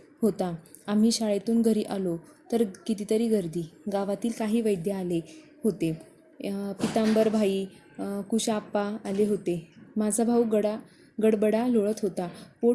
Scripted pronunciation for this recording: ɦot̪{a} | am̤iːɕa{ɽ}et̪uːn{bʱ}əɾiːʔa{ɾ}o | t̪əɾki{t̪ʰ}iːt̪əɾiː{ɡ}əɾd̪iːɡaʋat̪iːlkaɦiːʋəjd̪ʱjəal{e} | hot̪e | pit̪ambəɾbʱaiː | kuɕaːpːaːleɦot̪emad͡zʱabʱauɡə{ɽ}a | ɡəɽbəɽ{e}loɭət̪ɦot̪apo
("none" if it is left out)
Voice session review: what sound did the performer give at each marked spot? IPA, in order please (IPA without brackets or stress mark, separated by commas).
a, ɭ, ɡʱ, l, t̪, ɡ, e, ɽ, a